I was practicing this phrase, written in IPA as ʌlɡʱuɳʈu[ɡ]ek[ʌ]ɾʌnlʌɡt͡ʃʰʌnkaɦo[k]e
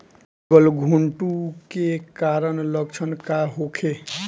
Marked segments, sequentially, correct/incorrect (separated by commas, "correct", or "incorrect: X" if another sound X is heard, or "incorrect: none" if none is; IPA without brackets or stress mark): incorrect: k, incorrect: a, incorrect: kʰ